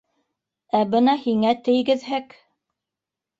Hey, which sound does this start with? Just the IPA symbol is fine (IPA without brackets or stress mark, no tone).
æ